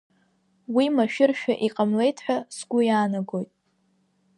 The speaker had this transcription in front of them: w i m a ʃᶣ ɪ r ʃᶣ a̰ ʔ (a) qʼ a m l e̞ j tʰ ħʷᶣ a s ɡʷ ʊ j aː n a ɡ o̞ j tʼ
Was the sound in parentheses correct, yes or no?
no